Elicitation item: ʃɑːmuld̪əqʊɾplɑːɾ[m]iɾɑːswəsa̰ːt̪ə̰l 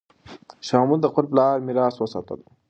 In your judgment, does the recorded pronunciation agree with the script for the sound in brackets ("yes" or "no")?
yes